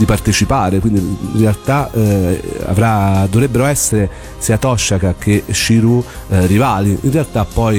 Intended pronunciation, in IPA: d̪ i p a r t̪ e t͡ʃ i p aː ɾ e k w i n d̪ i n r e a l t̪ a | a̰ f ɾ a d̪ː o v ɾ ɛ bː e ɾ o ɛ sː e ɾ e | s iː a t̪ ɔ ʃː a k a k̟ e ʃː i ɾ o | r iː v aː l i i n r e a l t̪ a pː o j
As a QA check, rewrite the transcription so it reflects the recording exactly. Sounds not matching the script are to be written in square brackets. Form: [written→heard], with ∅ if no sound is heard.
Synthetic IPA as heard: d̪ i p a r t̪ e t͡ʃ i p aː ɾ e k w i n d̪ i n r e a l t̪ a | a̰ [f→v] ɾ a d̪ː o v ɾ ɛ bː e ɾ o ɛ sː e ɾ e | s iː a t̪ ɔ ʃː a k a k̟ e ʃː i ɾ [o→u] | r [iː→i] v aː l i i n r e a l t̪ a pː [o→ɔ] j